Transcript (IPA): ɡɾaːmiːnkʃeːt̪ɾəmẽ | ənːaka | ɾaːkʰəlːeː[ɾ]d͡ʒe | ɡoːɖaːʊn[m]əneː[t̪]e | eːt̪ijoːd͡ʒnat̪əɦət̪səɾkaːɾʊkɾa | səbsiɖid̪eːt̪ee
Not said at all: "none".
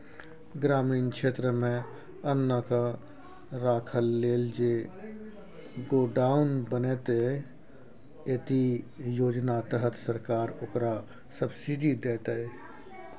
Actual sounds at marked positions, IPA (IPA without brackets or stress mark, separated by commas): l, b, t̪